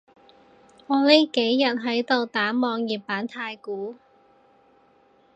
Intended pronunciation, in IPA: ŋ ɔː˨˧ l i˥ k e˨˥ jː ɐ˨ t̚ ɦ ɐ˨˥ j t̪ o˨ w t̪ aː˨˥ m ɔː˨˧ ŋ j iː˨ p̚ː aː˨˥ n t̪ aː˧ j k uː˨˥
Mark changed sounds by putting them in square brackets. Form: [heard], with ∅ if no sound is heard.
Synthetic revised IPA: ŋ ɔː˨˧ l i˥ k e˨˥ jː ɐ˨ t̚ ɦ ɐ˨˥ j t̪ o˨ w t̪ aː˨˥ m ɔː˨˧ ŋ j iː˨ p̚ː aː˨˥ n [t̪ʰ] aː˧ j k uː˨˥